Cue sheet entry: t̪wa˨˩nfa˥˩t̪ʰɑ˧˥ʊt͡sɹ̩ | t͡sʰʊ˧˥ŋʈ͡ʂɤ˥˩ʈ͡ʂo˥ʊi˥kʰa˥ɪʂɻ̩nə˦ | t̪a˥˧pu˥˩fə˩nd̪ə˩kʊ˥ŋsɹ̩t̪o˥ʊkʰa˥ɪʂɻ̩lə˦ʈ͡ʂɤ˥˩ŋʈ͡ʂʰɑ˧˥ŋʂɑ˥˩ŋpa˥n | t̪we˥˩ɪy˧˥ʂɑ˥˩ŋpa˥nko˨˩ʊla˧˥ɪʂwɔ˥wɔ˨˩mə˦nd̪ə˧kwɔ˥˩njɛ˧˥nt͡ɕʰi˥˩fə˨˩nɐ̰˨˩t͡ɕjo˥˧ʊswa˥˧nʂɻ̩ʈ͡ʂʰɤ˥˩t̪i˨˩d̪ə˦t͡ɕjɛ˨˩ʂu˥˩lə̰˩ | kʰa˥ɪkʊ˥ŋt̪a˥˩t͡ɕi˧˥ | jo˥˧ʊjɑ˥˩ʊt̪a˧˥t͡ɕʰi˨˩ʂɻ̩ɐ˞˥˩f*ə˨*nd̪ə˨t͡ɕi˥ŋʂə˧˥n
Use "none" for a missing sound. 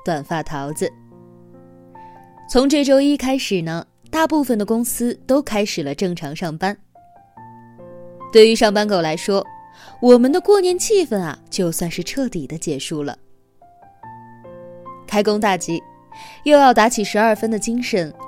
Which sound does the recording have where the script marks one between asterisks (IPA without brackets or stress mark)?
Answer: ə˥